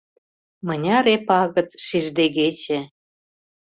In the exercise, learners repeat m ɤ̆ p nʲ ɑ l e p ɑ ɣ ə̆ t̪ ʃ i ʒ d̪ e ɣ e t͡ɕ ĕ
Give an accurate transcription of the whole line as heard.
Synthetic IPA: m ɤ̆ nʲ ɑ ɾ e p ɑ ɣ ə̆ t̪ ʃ i ʒ d̪ e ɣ e t͡ɕ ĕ